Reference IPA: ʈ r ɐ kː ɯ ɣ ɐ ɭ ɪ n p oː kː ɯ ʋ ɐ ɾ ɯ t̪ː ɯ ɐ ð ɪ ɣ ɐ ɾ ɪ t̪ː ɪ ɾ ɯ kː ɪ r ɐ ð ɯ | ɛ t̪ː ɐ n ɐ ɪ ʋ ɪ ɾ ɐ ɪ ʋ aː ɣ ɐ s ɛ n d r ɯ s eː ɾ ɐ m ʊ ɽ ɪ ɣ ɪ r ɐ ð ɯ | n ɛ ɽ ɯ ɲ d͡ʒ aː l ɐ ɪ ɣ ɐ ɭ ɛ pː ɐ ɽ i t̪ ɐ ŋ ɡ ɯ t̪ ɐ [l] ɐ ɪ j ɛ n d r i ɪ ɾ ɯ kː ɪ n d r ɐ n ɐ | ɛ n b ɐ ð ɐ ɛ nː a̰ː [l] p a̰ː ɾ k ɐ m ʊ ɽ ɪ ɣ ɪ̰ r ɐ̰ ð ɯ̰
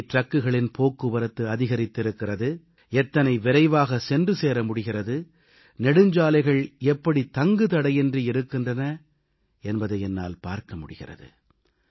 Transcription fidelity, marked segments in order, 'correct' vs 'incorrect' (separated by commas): incorrect, correct